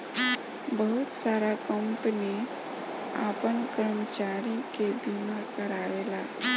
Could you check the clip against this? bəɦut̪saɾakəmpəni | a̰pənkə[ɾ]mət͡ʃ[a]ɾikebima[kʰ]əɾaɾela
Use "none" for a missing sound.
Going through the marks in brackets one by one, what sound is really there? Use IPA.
ɾ, a, k

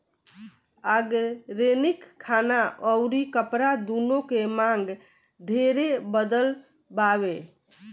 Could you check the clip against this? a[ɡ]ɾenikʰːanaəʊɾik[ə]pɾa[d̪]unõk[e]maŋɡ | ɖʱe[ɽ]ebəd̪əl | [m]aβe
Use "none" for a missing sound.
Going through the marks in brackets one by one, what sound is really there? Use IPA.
ɡ, ə, d̪, e, ɾ, b

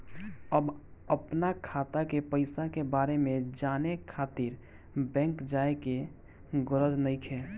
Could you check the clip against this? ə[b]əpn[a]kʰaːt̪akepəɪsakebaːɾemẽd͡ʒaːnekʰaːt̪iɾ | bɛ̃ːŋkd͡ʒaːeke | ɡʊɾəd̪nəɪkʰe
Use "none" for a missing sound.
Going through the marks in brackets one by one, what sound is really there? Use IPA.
b, a

